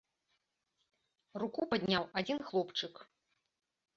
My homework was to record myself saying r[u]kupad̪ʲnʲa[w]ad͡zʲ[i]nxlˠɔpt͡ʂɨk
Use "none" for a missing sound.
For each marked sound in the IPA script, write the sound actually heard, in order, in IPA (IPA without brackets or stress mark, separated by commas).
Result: u, w, i